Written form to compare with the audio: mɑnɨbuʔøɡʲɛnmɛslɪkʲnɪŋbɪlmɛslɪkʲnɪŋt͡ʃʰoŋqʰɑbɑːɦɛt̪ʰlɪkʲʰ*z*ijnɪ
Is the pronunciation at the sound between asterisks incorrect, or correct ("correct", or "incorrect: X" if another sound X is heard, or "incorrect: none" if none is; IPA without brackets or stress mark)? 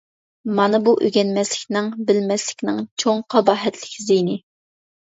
correct